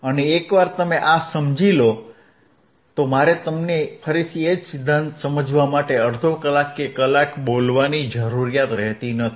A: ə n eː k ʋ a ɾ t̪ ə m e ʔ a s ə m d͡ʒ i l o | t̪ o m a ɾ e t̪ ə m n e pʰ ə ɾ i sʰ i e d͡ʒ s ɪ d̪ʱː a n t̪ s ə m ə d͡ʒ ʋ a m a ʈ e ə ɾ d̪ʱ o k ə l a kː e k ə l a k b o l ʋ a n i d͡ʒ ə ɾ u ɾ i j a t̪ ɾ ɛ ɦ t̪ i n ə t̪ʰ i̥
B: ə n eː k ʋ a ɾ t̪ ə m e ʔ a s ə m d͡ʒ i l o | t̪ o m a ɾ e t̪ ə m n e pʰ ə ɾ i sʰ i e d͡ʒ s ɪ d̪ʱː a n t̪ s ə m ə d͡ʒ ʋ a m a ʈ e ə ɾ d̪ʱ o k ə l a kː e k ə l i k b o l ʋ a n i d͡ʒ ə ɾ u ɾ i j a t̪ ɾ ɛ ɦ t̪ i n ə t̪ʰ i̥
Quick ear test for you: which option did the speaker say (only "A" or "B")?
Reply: A